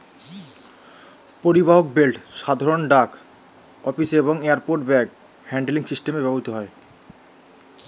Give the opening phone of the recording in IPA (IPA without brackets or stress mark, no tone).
p